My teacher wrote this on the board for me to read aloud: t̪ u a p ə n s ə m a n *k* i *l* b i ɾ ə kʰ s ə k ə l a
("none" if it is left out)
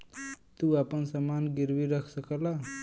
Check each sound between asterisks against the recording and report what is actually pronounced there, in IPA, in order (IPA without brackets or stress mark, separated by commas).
ɡ, ɾ